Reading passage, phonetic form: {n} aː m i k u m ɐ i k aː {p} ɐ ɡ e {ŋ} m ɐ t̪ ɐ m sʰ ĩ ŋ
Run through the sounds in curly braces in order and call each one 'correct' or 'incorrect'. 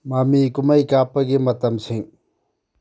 incorrect, correct, incorrect

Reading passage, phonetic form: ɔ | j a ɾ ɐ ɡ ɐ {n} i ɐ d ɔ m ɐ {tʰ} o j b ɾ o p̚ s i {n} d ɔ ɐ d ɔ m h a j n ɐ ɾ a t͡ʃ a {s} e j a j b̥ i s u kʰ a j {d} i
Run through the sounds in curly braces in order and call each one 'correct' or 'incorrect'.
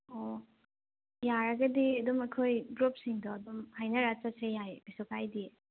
incorrect, incorrect, incorrect, correct, correct

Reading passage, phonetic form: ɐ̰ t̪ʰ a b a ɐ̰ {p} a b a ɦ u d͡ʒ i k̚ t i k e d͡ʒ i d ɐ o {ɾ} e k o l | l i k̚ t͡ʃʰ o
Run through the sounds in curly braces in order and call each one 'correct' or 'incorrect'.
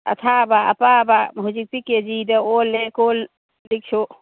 correct, incorrect

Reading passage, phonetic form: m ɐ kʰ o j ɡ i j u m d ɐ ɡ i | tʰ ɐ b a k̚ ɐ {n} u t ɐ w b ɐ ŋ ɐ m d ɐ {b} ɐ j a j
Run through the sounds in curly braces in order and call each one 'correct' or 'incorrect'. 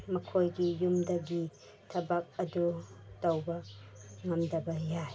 incorrect, correct

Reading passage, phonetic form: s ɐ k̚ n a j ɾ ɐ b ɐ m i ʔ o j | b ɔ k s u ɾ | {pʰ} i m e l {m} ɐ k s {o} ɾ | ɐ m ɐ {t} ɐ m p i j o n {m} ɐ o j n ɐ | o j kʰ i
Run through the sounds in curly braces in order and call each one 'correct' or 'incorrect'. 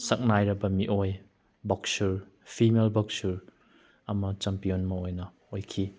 correct, incorrect, incorrect, incorrect, correct

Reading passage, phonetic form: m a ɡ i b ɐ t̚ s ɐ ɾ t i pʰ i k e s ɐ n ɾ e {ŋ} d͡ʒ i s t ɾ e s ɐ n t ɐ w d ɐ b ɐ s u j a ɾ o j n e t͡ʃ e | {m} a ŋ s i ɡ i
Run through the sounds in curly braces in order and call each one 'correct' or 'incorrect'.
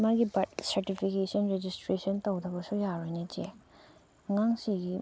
incorrect, incorrect

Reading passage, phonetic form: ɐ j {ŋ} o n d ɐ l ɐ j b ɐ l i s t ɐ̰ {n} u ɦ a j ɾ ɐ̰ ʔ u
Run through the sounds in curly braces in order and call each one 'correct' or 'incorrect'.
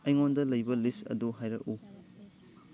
correct, incorrect

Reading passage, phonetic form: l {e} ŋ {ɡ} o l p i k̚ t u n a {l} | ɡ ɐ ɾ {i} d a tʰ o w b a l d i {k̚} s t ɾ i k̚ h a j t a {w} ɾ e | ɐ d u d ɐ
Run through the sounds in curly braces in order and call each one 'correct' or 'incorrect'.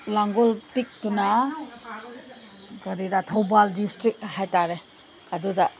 incorrect, correct, incorrect, correct, incorrect, incorrect

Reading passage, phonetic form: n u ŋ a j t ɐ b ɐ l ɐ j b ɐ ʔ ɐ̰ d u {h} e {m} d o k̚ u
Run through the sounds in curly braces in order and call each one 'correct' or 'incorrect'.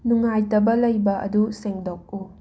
incorrect, incorrect

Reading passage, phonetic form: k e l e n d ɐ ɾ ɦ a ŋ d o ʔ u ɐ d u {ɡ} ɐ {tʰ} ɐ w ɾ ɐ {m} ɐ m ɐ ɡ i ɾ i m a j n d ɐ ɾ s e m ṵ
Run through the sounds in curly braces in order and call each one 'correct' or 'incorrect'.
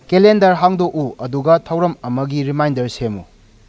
correct, correct, correct

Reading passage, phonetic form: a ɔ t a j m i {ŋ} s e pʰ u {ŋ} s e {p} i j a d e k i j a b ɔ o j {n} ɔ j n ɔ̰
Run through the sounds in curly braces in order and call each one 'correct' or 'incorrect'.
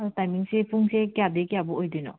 correct, correct, incorrect, incorrect

